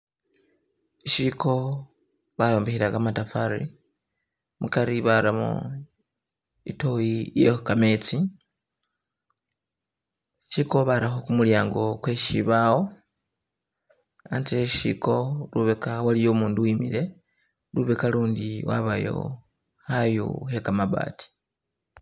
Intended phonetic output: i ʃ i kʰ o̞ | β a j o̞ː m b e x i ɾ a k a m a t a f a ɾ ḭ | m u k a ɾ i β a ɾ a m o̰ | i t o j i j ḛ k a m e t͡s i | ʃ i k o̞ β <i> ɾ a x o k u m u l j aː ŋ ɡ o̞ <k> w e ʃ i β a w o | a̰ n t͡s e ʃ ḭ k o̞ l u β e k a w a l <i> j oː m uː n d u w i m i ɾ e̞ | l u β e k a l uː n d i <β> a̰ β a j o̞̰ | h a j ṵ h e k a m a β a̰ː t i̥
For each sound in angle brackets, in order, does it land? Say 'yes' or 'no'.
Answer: no, yes, yes, no

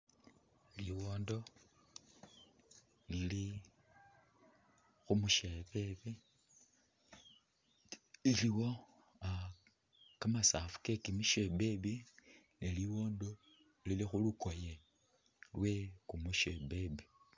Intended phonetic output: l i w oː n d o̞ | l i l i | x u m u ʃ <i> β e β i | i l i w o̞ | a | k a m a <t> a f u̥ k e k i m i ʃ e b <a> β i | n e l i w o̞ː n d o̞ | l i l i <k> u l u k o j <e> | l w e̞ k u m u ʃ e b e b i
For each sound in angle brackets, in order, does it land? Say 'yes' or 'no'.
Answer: no, no, no, no, yes

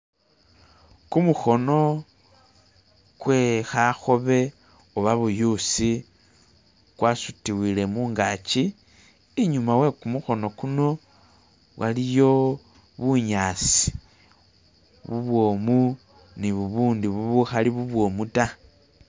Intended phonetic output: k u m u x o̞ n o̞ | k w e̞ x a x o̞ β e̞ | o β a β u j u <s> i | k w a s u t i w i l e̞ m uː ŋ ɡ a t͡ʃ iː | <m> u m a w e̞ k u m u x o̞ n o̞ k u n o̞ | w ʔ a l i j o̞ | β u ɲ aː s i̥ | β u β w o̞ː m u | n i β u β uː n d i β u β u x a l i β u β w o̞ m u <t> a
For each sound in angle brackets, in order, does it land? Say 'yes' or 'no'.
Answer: yes, no, yes

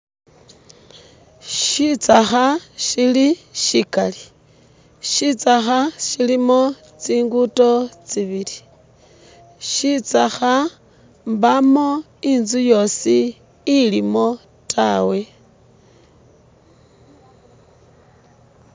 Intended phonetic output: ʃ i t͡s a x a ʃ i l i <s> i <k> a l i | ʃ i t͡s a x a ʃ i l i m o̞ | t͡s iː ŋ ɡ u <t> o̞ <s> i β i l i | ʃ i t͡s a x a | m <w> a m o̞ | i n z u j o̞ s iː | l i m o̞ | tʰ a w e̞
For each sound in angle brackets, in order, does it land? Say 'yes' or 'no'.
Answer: no, yes, yes, no, no

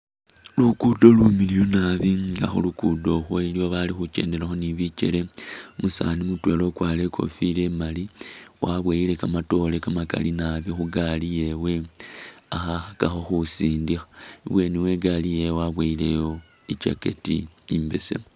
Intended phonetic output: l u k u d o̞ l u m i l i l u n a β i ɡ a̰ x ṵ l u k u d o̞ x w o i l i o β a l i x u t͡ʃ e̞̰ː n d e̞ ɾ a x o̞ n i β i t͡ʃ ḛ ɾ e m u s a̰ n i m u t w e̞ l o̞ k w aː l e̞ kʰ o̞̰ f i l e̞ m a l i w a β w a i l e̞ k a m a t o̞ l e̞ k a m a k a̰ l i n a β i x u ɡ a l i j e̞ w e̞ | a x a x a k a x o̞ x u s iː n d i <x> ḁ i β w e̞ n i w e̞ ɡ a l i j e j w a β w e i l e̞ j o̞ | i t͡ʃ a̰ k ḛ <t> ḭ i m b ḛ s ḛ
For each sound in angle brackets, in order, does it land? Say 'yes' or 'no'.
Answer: yes, yes

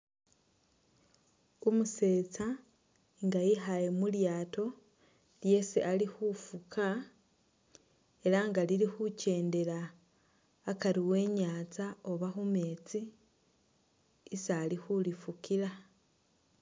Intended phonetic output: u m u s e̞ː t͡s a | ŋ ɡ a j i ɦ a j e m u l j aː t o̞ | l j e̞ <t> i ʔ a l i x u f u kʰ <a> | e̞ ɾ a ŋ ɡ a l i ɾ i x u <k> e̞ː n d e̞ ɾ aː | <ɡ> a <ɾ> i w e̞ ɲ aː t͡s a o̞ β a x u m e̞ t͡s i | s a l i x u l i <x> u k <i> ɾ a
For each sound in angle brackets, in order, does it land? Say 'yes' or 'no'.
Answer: no, yes, no, no, yes, no, yes

